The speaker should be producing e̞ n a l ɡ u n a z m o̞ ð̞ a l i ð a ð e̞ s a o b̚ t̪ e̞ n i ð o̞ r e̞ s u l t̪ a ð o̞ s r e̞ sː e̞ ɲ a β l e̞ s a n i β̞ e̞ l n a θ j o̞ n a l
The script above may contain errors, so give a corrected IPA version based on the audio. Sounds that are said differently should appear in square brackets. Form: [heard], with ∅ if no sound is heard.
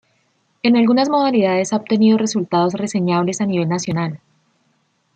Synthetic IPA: e̞ n a l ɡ u n a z m o̞ ð̞ a l i ð a ð e̞ s a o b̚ t̪ e̞ n i ð o̞ r e̞ s u l t̪ a ð o̞ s r e̞ [s] e̞ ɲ a β l e̞ s a n i β̞ e̞ l n a [s] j o̞ n a l